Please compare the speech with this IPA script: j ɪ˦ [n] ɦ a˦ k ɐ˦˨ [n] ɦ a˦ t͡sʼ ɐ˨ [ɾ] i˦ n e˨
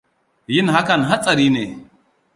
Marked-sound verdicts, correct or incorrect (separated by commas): correct, correct, correct